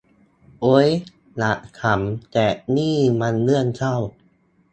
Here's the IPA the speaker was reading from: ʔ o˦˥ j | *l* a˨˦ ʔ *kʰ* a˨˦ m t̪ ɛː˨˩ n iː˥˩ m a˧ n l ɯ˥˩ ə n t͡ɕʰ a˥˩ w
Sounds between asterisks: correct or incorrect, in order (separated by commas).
correct, correct